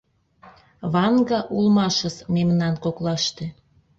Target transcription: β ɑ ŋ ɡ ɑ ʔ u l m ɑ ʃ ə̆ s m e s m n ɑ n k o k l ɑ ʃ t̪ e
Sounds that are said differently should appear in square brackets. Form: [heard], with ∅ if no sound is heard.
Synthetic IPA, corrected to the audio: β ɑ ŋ ɡ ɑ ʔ u l m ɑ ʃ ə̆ s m e [∅] m n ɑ n k o k l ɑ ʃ t̪ e